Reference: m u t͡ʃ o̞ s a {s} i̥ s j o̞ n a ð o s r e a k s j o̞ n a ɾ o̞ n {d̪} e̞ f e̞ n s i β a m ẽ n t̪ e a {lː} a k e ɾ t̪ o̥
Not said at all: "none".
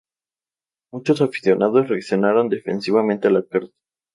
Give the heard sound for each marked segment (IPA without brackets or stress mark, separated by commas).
f, d̪, l